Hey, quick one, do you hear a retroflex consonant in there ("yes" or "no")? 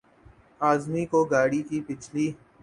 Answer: yes